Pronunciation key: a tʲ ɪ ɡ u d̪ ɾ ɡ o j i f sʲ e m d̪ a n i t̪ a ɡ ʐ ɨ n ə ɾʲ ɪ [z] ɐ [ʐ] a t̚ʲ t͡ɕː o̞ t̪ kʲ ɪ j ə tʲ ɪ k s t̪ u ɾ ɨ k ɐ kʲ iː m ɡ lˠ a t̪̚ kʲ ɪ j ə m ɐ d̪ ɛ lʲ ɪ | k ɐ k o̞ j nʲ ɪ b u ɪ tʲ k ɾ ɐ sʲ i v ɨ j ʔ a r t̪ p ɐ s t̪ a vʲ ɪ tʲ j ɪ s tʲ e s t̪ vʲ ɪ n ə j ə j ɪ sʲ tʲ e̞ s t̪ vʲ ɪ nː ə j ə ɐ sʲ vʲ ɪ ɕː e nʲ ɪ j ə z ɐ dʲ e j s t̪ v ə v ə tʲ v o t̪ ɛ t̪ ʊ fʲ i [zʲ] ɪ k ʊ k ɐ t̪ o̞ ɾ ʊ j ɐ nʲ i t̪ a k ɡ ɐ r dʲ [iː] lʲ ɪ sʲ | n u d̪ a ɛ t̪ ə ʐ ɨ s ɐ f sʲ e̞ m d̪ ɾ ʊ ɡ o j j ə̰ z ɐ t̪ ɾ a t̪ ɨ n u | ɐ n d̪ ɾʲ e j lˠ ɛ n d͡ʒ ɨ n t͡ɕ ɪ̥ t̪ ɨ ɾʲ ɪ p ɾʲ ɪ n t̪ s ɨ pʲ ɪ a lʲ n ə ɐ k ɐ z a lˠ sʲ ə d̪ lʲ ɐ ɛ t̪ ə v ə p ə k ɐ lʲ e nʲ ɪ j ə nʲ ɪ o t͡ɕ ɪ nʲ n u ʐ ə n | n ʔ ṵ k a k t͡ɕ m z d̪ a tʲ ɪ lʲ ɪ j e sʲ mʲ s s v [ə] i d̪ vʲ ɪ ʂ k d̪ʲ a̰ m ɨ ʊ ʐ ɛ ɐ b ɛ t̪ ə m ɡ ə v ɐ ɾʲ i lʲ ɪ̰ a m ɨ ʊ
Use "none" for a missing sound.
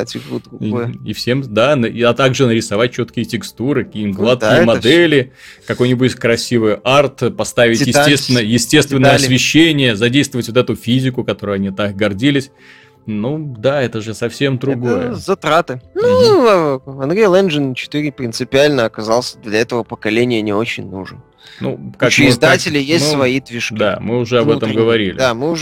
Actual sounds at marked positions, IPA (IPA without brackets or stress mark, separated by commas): s, v, zʲ, i, ɐ